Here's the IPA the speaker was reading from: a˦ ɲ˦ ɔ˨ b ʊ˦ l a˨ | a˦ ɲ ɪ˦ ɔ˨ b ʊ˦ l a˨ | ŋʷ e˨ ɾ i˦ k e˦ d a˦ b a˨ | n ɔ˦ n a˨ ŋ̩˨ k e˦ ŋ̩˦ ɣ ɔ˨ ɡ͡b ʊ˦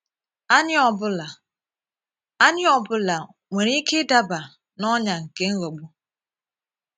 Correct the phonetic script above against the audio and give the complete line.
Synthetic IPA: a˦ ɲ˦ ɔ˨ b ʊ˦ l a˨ | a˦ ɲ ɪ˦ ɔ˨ b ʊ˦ l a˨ | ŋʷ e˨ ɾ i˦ k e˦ d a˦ b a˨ | n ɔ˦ ɲ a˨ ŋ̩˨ k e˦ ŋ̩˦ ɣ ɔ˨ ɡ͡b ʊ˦

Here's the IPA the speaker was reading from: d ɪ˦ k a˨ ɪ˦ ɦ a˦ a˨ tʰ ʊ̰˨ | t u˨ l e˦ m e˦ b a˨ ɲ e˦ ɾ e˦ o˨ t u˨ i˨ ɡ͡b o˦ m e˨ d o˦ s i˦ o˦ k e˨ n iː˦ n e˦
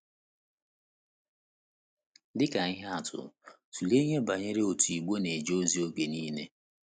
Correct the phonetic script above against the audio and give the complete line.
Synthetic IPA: d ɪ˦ k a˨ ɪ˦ ɦ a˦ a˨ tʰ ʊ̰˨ | t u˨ l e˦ ɲ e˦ b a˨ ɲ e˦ ɾ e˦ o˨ t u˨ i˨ ɡ͡b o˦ n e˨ d͡ʒ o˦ z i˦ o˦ k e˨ n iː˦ n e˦

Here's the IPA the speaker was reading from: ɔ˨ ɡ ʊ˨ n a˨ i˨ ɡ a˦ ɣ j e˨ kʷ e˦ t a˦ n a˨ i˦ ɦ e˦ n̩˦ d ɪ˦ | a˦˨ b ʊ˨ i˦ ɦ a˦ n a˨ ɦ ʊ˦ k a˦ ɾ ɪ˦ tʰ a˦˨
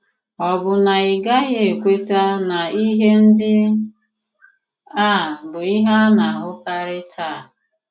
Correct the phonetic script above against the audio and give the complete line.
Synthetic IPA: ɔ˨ b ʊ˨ n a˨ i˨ ɡ a˦ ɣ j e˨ kʷ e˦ t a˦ n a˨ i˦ ɦ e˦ n̩˦ d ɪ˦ | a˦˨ b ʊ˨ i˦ ɦ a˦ n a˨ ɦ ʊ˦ k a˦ ɾ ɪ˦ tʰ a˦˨

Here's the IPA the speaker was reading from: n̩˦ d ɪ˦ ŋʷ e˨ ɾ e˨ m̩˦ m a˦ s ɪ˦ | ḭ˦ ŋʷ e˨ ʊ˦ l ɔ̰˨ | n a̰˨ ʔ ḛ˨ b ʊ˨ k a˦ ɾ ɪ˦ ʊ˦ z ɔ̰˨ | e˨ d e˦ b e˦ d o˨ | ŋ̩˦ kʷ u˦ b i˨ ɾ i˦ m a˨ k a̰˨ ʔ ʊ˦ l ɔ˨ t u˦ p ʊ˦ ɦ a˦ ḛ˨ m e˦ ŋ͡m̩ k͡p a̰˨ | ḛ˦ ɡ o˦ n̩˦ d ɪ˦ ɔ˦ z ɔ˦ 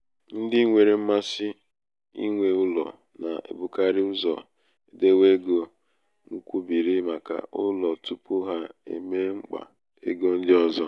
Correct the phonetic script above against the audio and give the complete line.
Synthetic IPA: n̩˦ d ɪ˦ ŋʷ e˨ ɾ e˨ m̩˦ m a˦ s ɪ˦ | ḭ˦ ŋʷ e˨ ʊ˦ l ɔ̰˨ | n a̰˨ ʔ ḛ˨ b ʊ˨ k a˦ ɾ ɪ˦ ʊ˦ z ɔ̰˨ | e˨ d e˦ w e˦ ɡ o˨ | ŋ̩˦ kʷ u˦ b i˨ ɾ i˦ m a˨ k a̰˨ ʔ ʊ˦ l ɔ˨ t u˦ p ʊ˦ ɦ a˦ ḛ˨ m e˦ ŋ͡m̩ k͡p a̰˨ | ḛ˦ ɡ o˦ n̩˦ d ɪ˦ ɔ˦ z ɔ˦

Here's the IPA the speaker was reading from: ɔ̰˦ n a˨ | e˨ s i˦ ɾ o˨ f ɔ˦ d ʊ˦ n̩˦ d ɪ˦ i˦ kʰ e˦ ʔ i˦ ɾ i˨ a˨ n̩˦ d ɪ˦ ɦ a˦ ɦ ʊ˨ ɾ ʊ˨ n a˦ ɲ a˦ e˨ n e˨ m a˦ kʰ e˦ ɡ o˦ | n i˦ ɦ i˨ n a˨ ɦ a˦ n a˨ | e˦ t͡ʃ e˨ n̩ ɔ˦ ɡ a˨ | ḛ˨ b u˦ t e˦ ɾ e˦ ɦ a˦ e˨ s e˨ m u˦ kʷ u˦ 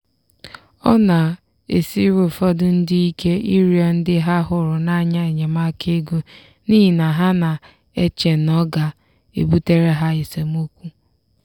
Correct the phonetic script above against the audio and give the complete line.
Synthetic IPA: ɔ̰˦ n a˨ | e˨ s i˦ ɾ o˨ f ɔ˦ d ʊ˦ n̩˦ d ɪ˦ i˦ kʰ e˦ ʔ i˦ ɾ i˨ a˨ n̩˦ d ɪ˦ ɦ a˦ ɦ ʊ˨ ɾ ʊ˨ n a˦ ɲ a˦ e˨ ɲ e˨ m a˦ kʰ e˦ ɡ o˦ | n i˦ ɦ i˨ n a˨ ɦ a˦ n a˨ | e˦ t͡ʃ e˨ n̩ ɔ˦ ɡ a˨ | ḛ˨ b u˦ t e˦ ɾ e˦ ɦ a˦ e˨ s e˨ m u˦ kʷ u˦

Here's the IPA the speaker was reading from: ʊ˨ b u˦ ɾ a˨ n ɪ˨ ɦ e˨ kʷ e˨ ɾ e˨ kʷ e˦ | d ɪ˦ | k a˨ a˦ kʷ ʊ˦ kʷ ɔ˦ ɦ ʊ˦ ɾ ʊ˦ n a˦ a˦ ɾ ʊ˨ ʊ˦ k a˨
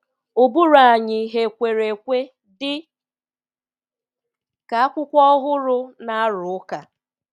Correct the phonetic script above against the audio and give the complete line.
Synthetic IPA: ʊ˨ b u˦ ɾ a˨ ɲ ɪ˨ ɦ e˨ kʷ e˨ ɾ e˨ kʷ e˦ | d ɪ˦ | k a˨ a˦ kʷ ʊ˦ kʷ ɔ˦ ɦ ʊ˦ ɾ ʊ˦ n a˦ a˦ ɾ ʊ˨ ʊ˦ k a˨

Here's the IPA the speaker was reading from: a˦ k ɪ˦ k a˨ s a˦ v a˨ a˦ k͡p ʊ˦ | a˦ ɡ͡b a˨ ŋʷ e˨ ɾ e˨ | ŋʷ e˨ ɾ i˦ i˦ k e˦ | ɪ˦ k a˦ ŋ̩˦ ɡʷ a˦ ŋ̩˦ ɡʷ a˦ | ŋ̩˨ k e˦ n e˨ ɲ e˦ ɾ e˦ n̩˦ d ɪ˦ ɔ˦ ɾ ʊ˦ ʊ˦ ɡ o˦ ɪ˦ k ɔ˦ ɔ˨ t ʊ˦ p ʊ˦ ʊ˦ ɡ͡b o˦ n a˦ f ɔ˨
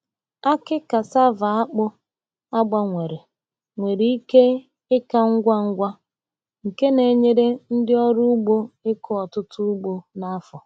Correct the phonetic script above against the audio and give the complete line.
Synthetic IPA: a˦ k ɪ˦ k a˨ s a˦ v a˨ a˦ k͡p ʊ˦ | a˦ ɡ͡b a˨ ŋʷ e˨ ɾ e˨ | ŋʷ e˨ ɾ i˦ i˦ k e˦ | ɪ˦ k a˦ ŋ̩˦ ɡʷ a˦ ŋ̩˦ ɡʷ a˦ | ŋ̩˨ k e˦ n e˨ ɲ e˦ ɾ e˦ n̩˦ d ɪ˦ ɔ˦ ɾ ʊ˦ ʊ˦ ɡ͡b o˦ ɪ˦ k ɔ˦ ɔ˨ t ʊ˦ t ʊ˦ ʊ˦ ɡ͡b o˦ n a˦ f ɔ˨

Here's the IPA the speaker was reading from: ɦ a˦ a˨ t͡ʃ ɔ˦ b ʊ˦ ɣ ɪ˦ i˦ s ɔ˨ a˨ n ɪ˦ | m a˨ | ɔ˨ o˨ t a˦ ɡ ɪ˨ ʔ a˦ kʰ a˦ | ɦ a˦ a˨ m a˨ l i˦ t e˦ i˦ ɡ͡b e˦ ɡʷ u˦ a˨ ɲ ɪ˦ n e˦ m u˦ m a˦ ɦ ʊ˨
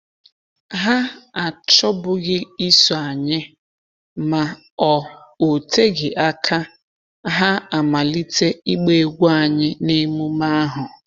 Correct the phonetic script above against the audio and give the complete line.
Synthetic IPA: ɦ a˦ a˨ t͡ʃ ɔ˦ b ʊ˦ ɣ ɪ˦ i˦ s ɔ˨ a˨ ɲ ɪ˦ | m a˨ | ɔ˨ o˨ t e˦ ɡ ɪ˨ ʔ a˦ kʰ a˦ | ɦ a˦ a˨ m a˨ l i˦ t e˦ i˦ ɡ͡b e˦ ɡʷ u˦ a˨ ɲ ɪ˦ n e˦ m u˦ m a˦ ɦ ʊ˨

